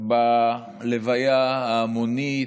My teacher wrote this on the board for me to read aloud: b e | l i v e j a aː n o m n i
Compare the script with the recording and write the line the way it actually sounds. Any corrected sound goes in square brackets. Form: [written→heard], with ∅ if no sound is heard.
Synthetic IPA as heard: b [e→a] | l [i→e] v [e→a] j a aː [n→m] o [m→∅] n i

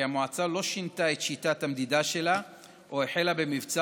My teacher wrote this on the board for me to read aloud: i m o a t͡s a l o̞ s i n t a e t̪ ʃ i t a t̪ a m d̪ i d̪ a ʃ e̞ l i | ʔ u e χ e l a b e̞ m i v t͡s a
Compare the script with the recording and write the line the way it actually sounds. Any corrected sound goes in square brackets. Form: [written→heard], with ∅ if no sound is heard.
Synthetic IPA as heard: [i→a] m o a t͡s a l o̞ [s→ʃ] i n t a e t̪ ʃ i t a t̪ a m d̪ i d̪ a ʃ e̞ l [i→a] | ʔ [u→o] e [χ→ħ] e l a b e̞ m i v t͡s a

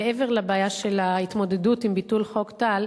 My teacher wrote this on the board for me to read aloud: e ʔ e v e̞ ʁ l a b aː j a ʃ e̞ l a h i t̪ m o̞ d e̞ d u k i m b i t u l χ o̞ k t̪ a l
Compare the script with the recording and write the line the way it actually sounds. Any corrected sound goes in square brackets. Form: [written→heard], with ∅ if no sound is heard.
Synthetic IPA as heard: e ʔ e v e̞ ʁ l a b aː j a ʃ e̞ l a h i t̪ m o̞ d e̞ d u [k→t] i m b i t u l χ o̞ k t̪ a l

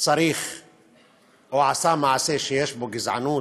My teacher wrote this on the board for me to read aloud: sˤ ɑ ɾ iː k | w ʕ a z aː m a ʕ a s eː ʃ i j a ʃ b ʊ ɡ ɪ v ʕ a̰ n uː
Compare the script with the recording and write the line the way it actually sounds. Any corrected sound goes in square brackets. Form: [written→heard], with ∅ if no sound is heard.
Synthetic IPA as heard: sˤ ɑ ɾ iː [k→x] | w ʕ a [z→s] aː m a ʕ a s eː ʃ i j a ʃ b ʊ ɡ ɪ [v→z] ʕ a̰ n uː

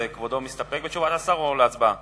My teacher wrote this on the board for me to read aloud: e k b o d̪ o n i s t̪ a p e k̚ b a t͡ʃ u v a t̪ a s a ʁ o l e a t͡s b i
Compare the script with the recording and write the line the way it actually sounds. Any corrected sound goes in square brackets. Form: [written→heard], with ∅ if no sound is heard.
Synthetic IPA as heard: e k [b→v] o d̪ o [n→m] i s t̪ a p e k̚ b [a→e] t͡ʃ u v a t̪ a s a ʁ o l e a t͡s b [i→a]

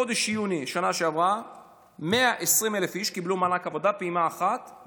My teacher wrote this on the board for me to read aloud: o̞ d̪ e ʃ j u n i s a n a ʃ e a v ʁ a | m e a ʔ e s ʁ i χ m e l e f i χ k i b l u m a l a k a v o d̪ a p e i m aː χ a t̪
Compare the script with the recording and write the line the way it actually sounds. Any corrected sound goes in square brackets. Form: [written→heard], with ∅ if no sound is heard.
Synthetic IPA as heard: o̞ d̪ e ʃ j u n i [s→ʃ] a n a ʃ e a v ʁ a | m e a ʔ e s ʁ i [χ→∅] m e l e f i [χ→ʃ] k i b l u m a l a k a v o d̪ a p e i m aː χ a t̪

